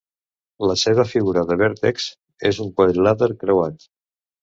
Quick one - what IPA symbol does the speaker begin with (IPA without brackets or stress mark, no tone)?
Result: l